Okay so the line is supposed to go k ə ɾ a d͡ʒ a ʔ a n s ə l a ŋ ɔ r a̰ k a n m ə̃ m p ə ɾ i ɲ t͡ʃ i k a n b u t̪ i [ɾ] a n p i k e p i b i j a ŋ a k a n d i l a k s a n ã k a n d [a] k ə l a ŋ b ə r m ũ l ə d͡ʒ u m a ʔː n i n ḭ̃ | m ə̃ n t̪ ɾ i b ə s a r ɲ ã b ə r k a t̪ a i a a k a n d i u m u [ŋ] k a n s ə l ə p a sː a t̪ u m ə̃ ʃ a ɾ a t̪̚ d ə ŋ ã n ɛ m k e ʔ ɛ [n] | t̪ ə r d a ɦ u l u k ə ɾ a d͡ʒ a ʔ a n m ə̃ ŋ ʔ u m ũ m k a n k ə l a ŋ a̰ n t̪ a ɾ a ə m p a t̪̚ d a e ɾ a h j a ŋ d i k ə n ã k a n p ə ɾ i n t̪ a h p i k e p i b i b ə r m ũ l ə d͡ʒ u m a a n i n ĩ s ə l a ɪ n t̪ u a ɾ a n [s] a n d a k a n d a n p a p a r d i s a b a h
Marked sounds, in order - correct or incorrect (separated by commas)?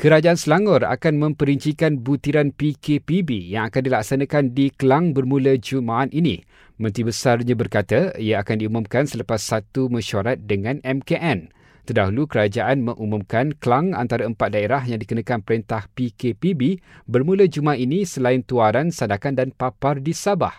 correct, incorrect, incorrect, correct, correct